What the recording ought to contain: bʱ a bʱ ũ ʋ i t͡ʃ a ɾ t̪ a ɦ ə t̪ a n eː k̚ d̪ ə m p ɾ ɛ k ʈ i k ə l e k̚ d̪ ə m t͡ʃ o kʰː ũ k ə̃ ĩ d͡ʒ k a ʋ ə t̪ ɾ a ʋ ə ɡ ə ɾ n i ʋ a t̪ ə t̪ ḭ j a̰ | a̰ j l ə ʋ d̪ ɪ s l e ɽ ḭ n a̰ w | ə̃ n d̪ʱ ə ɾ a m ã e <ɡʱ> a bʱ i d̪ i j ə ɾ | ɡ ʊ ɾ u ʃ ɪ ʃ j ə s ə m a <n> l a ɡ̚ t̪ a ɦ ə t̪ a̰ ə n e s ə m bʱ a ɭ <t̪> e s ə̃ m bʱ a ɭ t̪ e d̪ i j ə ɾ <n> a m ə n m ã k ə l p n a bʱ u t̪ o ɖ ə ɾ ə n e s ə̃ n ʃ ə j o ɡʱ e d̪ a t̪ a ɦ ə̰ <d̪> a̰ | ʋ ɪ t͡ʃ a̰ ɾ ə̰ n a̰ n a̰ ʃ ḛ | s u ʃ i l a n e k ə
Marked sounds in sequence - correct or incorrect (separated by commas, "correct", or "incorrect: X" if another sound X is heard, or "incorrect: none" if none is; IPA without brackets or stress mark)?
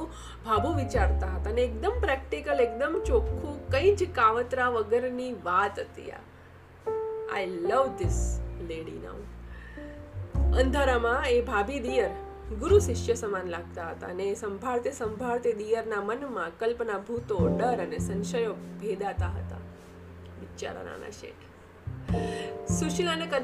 incorrect: bʱ, correct, correct, correct, incorrect: t̪